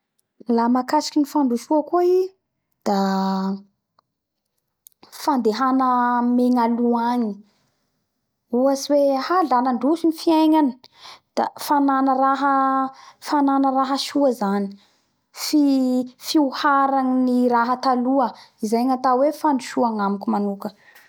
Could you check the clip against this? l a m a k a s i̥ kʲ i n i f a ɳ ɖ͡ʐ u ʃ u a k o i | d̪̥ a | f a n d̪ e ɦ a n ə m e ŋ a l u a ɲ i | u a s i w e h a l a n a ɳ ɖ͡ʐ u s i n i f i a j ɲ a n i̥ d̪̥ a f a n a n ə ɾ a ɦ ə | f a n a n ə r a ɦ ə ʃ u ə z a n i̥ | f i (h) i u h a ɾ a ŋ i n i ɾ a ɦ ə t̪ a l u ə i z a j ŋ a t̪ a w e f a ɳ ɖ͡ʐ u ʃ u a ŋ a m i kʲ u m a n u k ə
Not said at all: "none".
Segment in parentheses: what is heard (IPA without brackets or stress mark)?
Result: f